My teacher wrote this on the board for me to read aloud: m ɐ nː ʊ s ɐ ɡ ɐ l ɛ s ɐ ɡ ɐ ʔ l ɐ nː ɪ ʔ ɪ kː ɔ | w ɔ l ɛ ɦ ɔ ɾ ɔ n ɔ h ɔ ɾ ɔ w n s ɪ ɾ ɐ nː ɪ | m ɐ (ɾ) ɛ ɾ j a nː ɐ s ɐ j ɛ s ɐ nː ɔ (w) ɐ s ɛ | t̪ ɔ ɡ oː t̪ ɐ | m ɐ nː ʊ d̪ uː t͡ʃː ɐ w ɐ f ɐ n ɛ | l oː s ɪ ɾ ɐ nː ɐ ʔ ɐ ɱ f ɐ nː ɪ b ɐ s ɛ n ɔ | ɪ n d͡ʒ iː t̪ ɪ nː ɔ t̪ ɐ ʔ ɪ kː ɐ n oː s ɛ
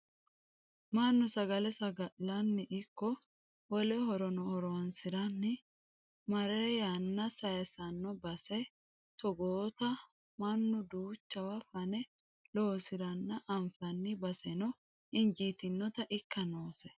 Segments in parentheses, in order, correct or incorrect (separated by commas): correct, incorrect